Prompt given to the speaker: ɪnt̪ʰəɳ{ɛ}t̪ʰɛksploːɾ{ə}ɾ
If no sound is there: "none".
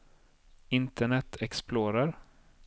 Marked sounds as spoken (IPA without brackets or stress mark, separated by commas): ɛ, a